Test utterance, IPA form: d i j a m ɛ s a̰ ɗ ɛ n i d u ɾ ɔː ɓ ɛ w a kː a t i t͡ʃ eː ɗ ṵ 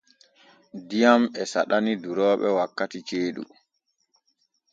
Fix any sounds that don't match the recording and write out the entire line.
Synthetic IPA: d i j a m ɛ s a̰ ɗ a n i d u ɾ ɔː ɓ ɛ w a kː a t i t͡ʃ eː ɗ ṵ